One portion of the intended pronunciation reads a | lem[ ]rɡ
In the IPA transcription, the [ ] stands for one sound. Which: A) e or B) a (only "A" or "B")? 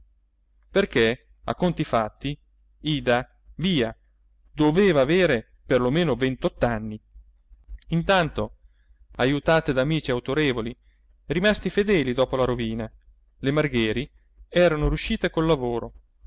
B